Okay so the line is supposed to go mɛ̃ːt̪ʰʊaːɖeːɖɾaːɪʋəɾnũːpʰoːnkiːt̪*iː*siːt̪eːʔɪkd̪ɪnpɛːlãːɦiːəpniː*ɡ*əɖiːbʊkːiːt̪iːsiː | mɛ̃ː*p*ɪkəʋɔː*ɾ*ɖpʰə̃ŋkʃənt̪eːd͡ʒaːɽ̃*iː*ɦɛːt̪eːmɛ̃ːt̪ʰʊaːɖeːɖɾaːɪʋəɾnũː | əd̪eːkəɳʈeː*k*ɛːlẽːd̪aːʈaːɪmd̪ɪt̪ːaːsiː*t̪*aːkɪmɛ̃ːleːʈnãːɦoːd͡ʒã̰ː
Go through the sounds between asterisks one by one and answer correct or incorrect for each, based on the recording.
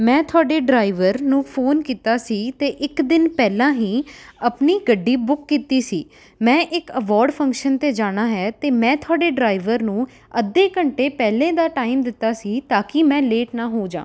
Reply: incorrect, correct, incorrect, correct, incorrect, incorrect, correct

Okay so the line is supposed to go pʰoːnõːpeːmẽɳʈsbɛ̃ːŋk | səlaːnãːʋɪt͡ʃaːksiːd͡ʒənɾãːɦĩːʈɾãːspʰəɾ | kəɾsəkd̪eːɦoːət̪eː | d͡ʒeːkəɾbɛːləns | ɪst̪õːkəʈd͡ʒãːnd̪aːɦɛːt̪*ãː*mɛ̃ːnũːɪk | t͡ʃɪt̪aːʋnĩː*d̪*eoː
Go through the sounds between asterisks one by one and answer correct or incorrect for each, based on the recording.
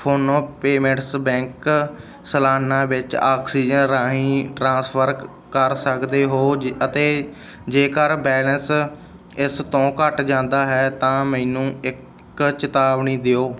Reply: correct, correct

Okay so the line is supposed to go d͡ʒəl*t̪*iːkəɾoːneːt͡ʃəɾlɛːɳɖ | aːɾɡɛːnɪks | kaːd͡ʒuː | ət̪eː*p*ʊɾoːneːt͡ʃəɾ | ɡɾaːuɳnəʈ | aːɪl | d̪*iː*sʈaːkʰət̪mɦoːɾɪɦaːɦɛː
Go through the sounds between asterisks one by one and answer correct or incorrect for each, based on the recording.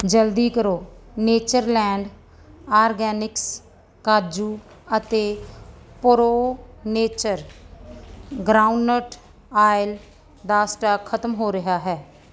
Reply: incorrect, correct, incorrect

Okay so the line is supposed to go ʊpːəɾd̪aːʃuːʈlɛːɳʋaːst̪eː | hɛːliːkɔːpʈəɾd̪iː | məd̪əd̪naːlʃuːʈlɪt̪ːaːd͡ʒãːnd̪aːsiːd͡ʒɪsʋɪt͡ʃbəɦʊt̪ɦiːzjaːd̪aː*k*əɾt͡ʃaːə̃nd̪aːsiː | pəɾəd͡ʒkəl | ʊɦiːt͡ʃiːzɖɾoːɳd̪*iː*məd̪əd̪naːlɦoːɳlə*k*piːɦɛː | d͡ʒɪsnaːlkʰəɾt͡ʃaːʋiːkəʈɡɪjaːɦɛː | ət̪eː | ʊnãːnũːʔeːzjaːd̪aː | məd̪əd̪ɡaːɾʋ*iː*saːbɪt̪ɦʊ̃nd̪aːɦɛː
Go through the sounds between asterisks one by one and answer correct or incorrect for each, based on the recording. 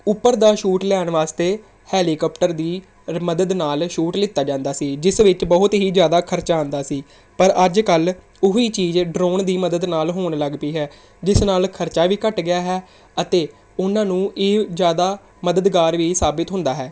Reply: incorrect, correct, incorrect, correct

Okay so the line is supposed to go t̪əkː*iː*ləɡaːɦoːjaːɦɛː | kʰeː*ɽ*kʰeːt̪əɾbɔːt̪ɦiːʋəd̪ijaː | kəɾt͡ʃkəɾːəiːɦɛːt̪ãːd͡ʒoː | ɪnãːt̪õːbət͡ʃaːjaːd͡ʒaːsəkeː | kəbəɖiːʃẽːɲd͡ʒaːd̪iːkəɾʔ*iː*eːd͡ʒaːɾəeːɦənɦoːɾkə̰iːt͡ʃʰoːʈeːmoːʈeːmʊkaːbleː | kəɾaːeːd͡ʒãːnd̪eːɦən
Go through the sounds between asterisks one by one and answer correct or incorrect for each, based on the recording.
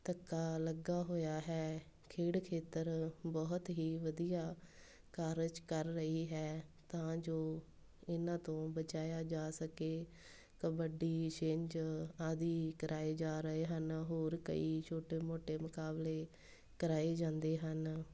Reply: incorrect, correct, incorrect

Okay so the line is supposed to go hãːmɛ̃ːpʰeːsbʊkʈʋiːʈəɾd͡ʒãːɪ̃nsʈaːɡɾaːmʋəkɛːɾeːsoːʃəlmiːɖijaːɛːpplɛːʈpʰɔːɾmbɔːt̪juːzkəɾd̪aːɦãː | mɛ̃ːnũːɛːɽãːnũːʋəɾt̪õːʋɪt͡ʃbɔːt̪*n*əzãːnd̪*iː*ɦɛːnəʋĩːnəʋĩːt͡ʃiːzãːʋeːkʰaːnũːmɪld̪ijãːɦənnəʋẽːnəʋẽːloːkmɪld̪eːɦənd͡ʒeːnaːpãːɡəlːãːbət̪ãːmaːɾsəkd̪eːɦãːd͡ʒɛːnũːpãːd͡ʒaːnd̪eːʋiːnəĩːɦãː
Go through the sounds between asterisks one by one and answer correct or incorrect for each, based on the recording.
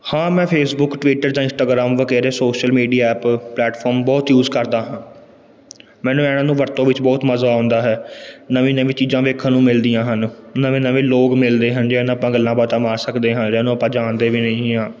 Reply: incorrect, incorrect

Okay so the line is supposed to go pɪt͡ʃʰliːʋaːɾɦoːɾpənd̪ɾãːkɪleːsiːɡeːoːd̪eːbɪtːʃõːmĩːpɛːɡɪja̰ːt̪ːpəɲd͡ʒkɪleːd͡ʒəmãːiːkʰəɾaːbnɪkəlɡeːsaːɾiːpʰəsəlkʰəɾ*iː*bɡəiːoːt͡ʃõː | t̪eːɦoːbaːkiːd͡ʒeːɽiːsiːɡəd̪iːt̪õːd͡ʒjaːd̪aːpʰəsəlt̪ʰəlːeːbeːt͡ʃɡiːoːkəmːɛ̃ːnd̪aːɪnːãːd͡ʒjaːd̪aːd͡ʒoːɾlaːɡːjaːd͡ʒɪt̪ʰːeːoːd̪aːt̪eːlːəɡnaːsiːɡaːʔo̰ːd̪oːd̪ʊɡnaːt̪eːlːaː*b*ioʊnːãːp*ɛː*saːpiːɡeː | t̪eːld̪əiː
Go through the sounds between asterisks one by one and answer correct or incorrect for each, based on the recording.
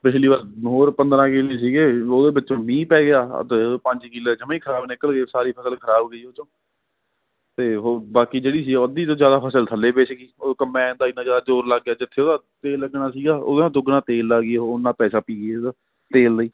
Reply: incorrect, incorrect, correct

